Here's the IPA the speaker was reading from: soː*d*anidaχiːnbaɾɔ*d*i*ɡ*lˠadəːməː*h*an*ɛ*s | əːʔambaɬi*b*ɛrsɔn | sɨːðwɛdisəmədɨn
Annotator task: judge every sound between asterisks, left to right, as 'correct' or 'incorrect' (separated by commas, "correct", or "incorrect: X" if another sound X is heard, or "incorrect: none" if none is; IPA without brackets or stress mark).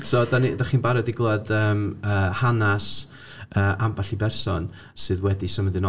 correct, correct, correct, correct, incorrect: a, correct